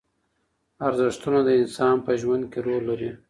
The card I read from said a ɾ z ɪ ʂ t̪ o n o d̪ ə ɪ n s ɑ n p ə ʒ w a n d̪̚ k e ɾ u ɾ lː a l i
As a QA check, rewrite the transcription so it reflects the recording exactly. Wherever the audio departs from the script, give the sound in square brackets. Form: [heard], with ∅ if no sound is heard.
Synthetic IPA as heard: a ɾ z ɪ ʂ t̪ [u] n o d̪ ə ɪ n s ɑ n p ə ʒ w a n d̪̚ k e ɾ [o] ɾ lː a [ɾ] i